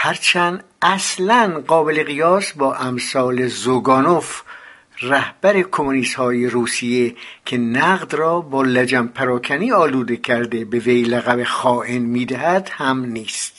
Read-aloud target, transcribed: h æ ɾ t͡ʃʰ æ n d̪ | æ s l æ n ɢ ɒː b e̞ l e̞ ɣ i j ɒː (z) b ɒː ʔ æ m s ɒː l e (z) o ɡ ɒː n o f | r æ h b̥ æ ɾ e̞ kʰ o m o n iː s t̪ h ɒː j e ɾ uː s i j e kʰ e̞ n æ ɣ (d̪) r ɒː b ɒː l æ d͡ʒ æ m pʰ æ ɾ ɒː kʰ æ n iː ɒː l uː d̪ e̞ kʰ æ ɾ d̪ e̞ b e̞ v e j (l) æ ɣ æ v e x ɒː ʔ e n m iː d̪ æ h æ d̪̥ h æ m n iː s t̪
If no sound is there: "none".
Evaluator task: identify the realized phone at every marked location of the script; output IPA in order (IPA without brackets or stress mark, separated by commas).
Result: s, z, d̪, l